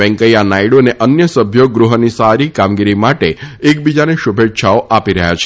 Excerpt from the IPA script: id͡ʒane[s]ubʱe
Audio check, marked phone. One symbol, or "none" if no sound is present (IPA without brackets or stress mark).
ʃ